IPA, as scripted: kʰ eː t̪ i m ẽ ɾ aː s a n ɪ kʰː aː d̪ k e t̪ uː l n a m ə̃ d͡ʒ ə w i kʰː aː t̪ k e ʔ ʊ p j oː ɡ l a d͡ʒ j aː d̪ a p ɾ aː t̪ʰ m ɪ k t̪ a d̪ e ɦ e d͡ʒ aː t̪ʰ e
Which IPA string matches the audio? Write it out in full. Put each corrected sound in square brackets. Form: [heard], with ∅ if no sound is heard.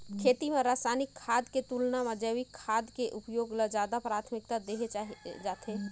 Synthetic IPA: kʰ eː t̪ i m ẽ ɾ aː s a n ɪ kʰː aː d̪ k e t̪ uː l n a m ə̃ d͡ʒ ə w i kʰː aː [d̪] k e ʔ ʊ p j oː ɡ l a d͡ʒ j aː d̪ a p ɾ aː t̪ʰ m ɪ k t̪ a d̪ e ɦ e d͡ʒ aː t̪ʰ e